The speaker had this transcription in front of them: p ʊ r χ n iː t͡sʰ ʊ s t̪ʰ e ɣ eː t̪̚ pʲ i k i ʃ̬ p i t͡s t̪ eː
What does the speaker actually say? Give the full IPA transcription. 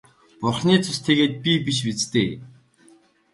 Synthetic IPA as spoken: p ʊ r χ n iː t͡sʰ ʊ s t̪ʰ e ɣ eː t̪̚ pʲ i p i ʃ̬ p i t͡s t̪ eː